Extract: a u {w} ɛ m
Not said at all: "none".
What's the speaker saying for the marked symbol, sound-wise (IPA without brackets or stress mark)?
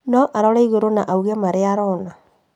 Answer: ɣ